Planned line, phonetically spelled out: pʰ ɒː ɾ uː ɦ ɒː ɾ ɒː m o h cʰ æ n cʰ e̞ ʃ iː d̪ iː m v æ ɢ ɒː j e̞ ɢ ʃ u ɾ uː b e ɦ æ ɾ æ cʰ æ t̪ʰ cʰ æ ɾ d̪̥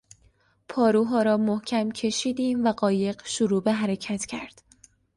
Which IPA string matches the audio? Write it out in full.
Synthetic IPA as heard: pʰ ɒː ɾ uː ɦ ɒː ɾ ɒː m o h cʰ æ m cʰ e̞ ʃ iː d̪ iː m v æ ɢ ɒː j e̞ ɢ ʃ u ɾ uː b e ɦ æ ɾ e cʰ æ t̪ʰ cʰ æ ɾ d̪̥